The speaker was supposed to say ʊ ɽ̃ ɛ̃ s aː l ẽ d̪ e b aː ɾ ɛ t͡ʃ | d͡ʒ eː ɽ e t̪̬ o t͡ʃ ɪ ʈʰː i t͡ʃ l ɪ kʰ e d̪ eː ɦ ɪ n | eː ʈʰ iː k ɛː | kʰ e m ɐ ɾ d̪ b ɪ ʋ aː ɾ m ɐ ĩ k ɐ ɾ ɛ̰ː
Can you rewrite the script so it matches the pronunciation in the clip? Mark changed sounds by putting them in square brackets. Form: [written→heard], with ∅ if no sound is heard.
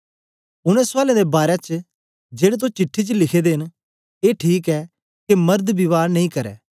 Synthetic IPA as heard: ʊ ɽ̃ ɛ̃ s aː l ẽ d̪ e b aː ɾ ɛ t͡ʃ | d͡ʒ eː ɽ e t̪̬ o t͡ʃ ɪ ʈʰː i t͡ʃ l ɪ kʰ e d̪ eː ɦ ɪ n | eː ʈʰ iː k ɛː | [kʰ→k] e m ɐ ɾ d̪ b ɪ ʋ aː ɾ [m→n] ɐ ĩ k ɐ ɾ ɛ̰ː